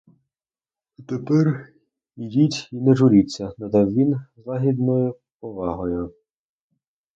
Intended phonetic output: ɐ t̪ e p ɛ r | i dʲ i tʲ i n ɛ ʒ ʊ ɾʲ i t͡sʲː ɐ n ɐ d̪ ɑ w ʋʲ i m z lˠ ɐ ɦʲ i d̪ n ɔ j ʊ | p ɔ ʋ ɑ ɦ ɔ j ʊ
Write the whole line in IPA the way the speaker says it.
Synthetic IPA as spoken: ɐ t̪ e p ɛ r | i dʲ i tʲ i n ɛ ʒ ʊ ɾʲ i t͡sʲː ɐ n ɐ d̪ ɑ w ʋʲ i n z lˠ ɑ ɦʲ i d̪ n ɔ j ʊ | p ɔ ʋ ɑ ɦ ɔ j ʊ